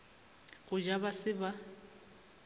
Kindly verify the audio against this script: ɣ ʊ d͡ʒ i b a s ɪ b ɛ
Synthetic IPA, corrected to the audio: ɣ ʊ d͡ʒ a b a s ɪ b a